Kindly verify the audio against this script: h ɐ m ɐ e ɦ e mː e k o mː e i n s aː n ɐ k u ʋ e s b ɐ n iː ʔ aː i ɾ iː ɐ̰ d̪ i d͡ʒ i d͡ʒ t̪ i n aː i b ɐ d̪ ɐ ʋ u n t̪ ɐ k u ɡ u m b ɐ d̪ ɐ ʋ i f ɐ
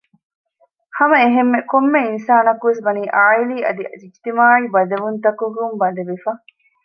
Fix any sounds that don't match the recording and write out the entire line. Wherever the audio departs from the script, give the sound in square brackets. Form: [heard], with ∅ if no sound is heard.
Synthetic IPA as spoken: h ɐ m ɐ e ɦ e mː e k o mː e i n s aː n ɐ k u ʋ e s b ɐ n iː ʔ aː i [l] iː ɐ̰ d̪ i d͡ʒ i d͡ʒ t̪ i [m] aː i b ɐ d̪ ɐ ʋ u n t̪ ɐ k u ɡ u m b ɐ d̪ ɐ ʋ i f ɐ